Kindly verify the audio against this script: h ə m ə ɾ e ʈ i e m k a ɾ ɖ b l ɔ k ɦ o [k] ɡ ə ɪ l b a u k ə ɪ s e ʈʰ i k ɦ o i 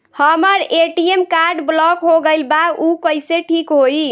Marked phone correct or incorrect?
incorrect